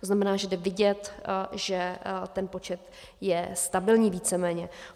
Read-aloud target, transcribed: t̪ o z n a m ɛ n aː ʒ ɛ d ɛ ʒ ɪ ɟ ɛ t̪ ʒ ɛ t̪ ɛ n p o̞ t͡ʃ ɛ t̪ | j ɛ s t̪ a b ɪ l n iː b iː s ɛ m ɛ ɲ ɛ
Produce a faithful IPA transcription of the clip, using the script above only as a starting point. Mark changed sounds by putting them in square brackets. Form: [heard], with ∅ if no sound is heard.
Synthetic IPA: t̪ o z n a m ɛ n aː ʒ ɛ d ɛ [v] ɪ ɟ ɛ t̪ ʒ ɛ t̪ ɛ n p o̞ t͡ʃ ɛ t̪ | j ɛ s t̪ a b ɪ l [ɲ] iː [v] iː [t͡s] ɛ m [ɛː] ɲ ɛ

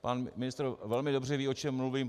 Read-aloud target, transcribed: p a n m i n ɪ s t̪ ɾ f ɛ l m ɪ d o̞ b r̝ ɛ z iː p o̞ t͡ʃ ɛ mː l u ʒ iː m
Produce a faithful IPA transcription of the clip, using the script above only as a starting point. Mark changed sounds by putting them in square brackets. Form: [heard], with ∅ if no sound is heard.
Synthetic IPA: p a n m [ɪ] n ɪ s t̪ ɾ [v] ɛ l m ɪ d o̞ b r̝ ɛ [v] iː [∅] o̞ t͡ʃ ɛ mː l u [v] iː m

